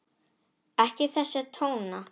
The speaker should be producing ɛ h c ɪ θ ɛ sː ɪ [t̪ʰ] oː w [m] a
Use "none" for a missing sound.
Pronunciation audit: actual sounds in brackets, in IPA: t̪ʰ, n

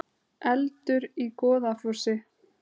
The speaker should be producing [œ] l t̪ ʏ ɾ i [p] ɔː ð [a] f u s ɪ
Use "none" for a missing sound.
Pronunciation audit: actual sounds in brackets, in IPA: ɛ, k, a

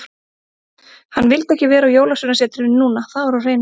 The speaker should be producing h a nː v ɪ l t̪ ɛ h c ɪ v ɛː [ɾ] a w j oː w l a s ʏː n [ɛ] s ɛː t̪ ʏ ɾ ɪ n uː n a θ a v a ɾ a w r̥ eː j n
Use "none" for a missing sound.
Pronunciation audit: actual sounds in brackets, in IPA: ɾ, a

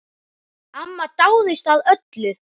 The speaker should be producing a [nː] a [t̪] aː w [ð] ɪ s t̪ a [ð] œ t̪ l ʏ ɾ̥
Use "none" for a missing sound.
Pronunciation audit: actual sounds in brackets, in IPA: mː, t̪, ð, ð

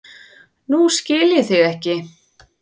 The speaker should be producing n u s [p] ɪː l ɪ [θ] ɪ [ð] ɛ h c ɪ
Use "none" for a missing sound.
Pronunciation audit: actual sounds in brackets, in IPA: c, θ, ɣ

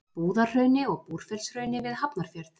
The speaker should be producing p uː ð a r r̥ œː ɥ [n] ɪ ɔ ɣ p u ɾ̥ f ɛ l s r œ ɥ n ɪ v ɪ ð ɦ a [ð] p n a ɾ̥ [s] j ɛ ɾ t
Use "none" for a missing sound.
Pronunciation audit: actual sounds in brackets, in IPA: n, none, f

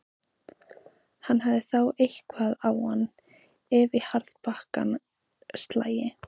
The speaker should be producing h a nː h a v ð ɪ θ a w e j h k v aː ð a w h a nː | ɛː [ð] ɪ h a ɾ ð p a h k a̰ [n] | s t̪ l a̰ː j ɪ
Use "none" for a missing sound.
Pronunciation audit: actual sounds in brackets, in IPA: v, n

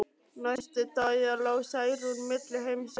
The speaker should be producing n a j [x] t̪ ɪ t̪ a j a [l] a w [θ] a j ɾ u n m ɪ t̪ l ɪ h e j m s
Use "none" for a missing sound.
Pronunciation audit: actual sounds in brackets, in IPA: s, l, s

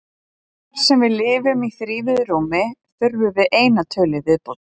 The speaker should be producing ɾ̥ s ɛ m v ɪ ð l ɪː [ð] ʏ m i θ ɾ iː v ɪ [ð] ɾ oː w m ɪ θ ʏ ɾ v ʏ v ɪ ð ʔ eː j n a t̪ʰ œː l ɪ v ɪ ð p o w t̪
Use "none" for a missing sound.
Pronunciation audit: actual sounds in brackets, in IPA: v, ð

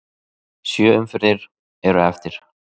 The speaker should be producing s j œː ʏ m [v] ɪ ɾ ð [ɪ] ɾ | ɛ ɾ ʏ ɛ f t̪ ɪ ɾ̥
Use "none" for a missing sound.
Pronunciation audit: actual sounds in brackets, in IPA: f, ɪ

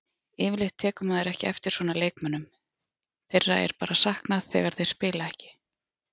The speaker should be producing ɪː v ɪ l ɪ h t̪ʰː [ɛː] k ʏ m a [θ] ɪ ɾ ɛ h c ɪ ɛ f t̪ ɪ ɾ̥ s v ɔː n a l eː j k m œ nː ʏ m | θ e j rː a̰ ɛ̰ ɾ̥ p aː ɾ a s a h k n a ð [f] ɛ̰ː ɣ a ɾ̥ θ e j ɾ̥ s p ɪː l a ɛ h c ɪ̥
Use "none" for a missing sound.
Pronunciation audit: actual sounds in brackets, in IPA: ɛː, ð, θ

